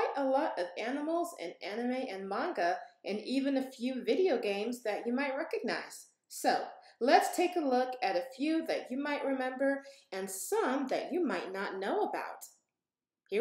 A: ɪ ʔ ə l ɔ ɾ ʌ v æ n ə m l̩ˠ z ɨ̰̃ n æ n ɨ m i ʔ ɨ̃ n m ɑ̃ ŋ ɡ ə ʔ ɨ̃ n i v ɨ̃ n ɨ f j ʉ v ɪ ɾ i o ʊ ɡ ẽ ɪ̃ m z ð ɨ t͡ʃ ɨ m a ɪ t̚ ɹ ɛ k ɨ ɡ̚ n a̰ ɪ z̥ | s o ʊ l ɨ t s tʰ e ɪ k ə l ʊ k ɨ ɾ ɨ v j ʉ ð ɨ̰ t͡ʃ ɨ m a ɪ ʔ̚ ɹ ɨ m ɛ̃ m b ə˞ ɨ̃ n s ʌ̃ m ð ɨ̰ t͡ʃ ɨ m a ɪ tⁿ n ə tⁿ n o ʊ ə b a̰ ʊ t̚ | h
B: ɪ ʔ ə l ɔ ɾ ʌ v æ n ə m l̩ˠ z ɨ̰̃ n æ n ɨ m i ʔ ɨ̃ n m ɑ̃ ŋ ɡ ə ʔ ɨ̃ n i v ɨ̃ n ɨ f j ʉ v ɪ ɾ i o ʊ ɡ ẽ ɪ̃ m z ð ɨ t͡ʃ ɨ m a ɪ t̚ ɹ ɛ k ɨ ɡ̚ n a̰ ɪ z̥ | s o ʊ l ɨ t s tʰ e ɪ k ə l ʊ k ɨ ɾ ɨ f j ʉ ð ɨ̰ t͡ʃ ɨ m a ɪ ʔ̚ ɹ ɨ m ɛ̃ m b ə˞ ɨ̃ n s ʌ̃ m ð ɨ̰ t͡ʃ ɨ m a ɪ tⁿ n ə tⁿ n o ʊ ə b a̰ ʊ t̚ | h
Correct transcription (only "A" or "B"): B